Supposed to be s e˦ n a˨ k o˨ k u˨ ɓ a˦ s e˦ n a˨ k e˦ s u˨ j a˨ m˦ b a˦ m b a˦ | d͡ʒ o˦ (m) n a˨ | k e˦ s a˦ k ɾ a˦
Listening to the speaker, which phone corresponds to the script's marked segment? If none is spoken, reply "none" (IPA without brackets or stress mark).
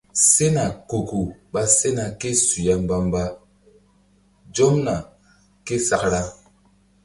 m